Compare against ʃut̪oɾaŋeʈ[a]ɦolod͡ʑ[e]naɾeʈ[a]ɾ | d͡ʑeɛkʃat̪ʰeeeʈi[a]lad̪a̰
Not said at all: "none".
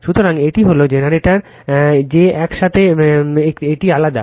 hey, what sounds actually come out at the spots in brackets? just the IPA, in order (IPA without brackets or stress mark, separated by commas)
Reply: i, e, a, a